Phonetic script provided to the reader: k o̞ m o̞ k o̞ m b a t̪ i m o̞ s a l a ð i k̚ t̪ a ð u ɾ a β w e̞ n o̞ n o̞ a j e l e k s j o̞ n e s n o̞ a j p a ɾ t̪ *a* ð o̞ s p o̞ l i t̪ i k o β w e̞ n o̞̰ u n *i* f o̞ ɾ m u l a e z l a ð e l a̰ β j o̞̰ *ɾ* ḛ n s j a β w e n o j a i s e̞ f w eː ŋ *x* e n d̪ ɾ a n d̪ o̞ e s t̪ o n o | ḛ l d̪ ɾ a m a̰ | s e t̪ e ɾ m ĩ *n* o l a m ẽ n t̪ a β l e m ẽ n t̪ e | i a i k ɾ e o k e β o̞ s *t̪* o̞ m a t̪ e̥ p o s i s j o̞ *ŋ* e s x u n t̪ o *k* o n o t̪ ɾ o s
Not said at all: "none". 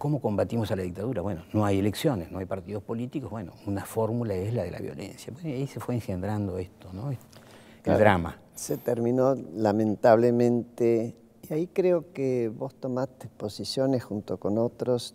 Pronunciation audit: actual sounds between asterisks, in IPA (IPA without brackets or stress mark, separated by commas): i, a, l, x, n, t̪, n, k